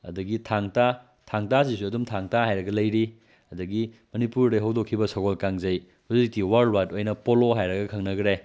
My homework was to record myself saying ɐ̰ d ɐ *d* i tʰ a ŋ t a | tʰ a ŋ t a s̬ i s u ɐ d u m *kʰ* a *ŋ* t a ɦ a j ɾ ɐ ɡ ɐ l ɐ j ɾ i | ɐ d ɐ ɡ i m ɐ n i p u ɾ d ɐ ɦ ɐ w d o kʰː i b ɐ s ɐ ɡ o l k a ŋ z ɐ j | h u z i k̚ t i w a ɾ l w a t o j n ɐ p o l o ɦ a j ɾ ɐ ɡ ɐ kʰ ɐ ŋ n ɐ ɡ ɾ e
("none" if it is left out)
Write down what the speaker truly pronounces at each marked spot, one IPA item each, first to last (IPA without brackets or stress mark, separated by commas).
ɡ, tʰ, ŋ